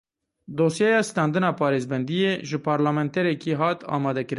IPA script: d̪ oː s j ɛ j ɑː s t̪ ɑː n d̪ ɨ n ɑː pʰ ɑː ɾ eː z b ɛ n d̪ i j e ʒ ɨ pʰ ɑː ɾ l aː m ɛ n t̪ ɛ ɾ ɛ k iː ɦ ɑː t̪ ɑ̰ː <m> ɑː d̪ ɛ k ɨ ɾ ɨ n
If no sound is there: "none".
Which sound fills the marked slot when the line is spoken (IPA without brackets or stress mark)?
m